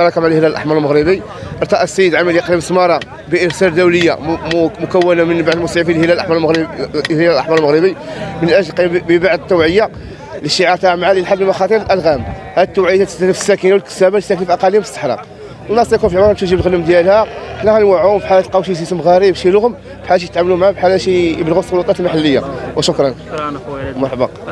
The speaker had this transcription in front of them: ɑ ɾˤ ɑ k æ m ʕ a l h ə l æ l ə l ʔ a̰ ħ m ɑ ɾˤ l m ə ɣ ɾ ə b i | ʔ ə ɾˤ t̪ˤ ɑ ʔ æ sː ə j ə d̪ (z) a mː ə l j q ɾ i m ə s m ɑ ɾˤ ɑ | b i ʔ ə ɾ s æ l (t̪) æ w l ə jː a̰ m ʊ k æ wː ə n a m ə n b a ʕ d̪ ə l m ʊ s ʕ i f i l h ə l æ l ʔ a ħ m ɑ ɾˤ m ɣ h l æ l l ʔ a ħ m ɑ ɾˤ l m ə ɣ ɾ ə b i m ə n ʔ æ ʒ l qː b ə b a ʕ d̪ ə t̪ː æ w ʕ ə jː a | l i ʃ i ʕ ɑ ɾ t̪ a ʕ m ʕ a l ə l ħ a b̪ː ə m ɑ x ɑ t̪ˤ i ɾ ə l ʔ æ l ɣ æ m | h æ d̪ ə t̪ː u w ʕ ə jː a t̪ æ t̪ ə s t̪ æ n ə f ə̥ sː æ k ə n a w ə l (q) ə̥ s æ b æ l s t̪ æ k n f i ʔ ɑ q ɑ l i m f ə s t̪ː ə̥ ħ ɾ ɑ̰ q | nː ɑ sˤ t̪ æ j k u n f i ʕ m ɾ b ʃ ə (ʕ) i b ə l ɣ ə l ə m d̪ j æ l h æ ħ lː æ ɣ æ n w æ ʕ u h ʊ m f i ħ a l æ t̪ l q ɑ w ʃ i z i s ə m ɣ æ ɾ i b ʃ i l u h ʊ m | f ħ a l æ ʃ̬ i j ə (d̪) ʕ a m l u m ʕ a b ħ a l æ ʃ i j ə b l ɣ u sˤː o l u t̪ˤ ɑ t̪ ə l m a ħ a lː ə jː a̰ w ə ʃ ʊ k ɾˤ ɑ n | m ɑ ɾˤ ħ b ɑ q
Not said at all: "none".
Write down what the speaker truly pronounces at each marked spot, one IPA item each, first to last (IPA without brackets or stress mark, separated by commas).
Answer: ʕ, d̪, k, ʒ, t̪